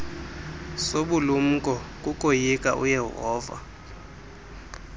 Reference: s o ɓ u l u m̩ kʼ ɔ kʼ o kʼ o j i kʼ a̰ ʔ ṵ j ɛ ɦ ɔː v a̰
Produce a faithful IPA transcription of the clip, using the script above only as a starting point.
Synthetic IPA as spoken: s o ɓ u l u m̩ kʼ ɔ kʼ u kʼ o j i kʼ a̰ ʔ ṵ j ɛ ɦ ɔː v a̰